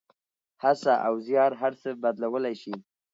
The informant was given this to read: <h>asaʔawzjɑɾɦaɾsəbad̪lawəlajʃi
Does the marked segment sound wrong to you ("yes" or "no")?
no